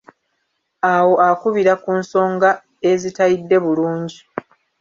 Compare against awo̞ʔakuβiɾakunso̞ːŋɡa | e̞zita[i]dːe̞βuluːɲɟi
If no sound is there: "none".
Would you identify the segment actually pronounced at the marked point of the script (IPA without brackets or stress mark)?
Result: i